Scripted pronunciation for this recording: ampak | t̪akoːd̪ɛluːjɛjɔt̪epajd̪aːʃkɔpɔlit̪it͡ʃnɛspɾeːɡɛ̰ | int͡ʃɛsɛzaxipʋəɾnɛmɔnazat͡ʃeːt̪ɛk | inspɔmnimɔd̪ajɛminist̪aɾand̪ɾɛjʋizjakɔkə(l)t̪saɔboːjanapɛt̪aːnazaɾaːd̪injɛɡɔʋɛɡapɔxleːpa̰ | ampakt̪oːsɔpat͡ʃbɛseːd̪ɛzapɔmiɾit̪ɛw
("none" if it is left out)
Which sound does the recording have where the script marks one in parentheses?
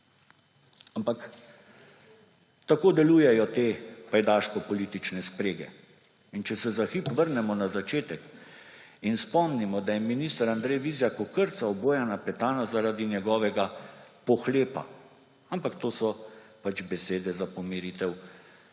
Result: ɾ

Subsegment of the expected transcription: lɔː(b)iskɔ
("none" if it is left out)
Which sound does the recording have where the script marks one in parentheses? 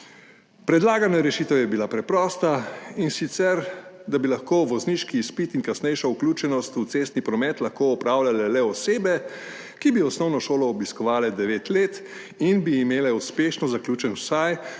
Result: b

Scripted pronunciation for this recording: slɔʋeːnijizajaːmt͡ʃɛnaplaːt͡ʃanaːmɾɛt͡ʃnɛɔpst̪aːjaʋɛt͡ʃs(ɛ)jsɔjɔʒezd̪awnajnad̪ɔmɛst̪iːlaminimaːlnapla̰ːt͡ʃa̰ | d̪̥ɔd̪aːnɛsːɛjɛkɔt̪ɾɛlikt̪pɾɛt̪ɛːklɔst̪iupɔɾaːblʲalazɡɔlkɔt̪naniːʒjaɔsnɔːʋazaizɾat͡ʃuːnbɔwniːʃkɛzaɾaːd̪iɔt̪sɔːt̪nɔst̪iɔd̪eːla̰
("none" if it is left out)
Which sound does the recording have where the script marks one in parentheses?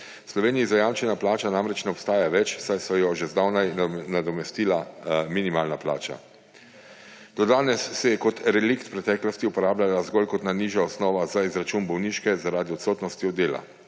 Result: a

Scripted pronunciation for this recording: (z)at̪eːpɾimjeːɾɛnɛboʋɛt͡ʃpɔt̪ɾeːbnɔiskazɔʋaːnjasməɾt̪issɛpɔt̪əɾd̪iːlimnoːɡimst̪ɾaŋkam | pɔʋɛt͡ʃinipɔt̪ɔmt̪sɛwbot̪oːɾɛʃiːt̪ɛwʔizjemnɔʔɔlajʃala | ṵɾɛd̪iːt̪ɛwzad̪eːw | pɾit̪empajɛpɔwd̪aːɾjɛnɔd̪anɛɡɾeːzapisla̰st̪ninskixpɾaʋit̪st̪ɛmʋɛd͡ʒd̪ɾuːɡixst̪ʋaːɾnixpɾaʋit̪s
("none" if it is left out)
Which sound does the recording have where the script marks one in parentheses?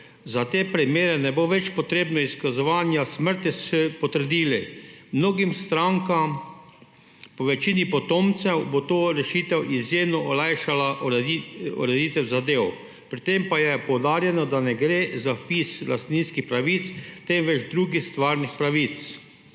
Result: z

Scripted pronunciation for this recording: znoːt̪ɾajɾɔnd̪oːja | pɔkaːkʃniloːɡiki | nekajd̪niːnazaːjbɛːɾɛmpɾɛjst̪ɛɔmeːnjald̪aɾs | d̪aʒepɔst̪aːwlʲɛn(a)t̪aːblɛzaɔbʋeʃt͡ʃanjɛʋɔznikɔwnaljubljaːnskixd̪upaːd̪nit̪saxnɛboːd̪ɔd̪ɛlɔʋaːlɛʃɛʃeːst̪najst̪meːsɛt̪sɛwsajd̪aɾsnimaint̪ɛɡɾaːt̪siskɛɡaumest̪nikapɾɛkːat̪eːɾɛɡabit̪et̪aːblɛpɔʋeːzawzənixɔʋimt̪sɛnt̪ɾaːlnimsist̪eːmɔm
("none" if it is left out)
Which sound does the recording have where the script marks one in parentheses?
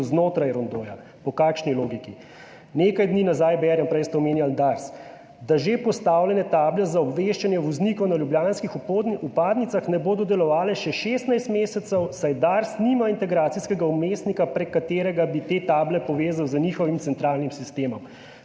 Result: ɛ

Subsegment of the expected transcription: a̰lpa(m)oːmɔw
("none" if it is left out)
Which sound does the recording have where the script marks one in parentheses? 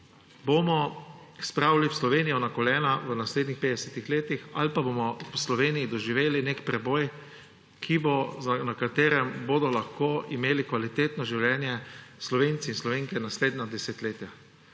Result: b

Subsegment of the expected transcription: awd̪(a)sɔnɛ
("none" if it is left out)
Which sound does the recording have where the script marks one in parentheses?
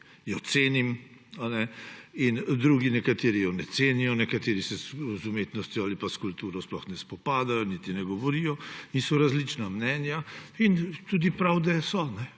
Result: ɛ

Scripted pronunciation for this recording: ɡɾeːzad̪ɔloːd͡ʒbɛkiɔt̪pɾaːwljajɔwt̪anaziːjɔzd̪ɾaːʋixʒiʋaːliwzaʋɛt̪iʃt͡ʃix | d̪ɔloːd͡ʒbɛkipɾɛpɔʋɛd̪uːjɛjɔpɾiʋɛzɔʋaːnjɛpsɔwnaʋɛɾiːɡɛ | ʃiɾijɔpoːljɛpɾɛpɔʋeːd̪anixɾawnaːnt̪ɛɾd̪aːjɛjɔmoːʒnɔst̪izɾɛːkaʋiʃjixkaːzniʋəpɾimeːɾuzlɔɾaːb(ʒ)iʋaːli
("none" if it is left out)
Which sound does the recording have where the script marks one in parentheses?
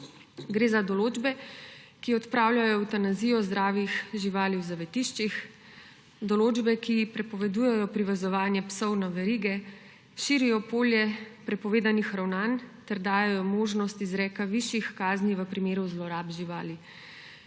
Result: ʒ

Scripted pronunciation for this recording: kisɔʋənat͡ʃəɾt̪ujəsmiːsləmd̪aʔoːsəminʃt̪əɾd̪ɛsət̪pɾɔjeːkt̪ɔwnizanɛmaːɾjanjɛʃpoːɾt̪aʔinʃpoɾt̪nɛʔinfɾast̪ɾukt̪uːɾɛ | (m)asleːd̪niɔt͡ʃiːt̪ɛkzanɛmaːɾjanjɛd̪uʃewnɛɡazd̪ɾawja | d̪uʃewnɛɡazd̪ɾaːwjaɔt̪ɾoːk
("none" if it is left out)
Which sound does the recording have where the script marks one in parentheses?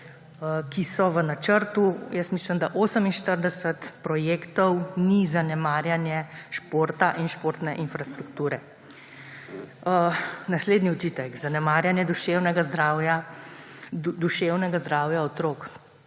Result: n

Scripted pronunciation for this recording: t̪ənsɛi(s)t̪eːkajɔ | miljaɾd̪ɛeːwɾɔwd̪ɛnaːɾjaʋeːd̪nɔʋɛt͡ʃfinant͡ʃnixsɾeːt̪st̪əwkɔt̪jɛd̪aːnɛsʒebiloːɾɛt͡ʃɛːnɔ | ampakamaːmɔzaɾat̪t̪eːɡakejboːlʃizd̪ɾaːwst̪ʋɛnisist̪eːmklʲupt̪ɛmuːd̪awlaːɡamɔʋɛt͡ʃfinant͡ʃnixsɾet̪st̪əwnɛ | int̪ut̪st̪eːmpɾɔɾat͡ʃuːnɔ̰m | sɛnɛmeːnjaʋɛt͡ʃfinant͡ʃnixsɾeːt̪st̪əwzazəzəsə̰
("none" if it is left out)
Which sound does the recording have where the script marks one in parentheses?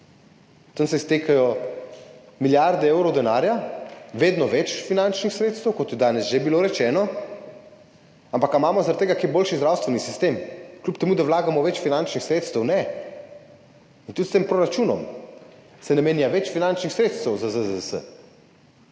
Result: s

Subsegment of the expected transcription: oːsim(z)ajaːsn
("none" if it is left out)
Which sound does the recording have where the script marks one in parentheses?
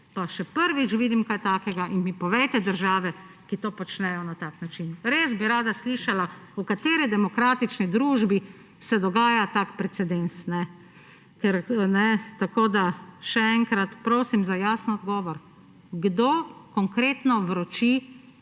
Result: z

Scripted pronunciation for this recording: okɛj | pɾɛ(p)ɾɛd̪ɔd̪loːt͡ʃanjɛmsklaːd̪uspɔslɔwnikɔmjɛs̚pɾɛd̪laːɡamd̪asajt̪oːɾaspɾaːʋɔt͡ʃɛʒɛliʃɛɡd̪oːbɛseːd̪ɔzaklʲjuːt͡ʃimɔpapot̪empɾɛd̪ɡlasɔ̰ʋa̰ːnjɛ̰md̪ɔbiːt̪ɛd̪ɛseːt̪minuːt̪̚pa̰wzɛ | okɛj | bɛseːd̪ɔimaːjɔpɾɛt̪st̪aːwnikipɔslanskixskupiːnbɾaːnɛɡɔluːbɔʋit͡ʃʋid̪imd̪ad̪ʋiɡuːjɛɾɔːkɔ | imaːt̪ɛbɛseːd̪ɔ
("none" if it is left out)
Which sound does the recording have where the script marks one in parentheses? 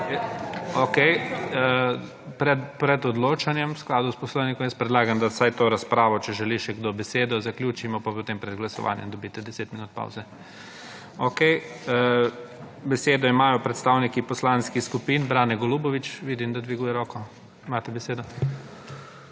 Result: p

